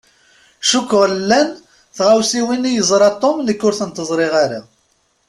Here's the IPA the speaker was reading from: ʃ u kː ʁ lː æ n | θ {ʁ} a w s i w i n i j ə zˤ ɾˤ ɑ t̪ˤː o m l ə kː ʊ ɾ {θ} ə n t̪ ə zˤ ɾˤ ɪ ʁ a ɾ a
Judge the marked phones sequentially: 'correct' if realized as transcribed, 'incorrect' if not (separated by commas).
correct, correct